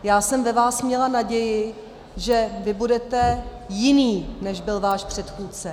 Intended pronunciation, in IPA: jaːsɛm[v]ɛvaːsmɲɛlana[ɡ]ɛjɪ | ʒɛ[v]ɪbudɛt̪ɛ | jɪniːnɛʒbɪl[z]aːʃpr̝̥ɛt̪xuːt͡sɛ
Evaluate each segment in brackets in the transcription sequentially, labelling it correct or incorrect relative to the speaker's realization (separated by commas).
correct, incorrect, correct, incorrect